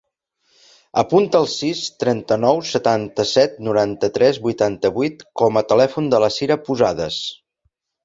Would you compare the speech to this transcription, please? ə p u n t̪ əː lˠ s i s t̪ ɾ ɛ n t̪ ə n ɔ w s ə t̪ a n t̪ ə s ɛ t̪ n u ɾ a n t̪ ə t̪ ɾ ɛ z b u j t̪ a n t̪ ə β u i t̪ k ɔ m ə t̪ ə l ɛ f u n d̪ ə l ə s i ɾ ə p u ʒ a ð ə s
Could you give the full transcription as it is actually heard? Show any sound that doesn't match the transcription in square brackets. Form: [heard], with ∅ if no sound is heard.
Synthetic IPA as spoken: ə p u n t̪ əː lˠ s i s t̪ ɾ ɛ n t̪ ə n ɔ w s ə t̪ a n t̪ ə s ɛ t̪ n u ɾ a n t̪ ə t̪ ɾ ɛ z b u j t̪ a n t̪ ə β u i t̪ k ɔ m ə t̪ ə l ɛ f u n d̪ ə l ə s i ɾ ə p u [z] a ð ə s